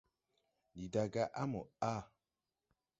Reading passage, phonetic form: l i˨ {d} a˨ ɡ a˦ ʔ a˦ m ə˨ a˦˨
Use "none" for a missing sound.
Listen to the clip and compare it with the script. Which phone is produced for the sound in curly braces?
d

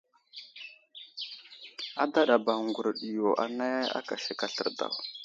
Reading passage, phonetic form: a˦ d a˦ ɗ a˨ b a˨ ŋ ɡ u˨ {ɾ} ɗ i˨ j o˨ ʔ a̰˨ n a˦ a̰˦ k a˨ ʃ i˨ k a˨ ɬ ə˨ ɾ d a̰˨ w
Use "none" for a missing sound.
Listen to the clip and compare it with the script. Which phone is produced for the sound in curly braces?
ɾ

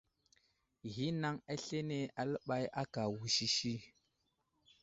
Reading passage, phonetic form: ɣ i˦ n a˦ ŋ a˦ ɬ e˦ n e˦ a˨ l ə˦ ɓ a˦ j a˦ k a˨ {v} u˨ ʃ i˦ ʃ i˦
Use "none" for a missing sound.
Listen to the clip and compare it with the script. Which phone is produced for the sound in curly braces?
w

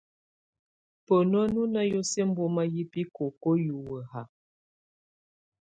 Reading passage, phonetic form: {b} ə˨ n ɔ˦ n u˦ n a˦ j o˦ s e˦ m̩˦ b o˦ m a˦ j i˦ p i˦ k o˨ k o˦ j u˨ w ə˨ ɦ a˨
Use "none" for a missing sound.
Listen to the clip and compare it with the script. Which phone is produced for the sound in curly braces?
p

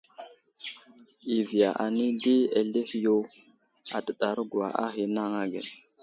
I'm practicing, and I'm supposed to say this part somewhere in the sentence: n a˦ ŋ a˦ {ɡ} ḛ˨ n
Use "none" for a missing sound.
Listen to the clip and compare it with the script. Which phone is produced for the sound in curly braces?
ɡ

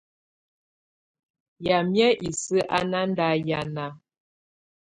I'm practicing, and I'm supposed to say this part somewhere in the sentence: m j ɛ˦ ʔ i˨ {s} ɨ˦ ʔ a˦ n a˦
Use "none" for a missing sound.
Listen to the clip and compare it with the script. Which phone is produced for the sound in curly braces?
s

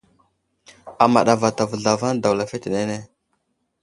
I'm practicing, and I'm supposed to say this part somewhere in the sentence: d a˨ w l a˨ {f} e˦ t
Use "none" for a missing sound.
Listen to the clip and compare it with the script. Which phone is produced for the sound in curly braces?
f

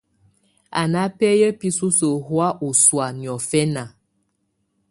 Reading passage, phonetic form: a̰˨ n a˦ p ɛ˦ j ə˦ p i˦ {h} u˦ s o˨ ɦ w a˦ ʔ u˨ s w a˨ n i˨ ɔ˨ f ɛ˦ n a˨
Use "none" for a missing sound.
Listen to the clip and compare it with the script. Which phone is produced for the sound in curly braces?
s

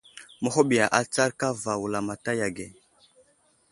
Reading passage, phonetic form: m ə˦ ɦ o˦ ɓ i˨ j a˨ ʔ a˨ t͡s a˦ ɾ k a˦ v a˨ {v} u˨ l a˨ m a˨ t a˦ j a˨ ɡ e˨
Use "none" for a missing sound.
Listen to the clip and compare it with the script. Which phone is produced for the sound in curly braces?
w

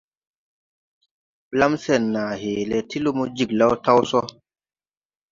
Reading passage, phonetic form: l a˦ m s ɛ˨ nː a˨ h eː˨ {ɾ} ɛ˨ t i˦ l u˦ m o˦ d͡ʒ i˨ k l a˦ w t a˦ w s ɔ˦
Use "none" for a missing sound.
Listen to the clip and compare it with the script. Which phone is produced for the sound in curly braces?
l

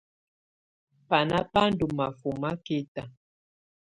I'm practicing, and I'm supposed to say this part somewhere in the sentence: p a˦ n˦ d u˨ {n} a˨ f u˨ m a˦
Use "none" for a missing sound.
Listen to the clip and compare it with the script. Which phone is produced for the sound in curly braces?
m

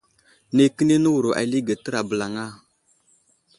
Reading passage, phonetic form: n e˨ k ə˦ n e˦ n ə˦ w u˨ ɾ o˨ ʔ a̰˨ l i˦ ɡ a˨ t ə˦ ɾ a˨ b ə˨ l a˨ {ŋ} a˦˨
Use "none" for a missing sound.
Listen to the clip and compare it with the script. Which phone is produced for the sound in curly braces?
ŋ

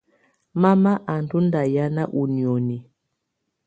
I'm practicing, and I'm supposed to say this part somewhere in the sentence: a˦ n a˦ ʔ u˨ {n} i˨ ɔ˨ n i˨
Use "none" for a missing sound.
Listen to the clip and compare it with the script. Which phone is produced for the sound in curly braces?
n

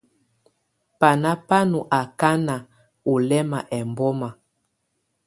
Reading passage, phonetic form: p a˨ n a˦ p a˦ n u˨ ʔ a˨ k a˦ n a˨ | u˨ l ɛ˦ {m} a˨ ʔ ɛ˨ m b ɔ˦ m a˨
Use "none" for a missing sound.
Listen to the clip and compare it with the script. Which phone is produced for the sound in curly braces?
m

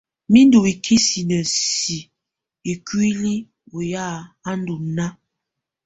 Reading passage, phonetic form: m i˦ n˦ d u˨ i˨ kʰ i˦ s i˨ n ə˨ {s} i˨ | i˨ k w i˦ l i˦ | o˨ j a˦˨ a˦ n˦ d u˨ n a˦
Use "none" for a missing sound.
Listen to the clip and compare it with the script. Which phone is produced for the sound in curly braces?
s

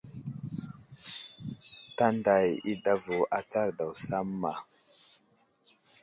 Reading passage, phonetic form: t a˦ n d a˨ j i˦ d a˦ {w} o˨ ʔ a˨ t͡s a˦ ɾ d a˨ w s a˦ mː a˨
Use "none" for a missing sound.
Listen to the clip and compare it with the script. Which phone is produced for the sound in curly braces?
v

